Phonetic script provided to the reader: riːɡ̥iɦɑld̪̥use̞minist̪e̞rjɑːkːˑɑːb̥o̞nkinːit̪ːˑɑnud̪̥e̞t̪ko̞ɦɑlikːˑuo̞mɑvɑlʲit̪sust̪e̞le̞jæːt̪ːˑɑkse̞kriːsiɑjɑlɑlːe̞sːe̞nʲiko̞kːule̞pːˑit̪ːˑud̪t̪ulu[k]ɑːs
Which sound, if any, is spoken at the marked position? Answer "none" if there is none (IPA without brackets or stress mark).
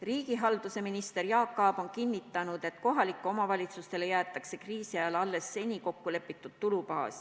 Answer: p